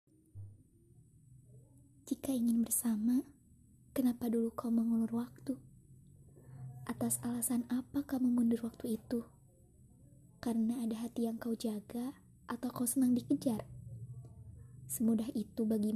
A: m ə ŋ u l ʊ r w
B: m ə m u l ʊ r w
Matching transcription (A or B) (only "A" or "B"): A